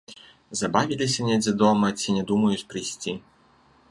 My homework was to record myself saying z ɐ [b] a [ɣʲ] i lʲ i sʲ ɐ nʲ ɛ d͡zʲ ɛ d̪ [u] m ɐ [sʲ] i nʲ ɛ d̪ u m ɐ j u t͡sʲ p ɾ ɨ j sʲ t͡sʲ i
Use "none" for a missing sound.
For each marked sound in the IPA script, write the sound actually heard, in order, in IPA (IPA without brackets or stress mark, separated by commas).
b, vʲ, ɔ, t͡sʲ